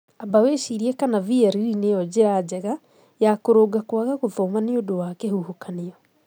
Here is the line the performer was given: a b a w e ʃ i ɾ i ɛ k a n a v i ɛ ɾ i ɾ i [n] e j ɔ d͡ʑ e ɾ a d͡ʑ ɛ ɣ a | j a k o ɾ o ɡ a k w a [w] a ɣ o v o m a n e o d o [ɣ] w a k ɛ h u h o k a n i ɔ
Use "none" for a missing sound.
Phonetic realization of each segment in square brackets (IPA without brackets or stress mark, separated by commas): n, ɣ, none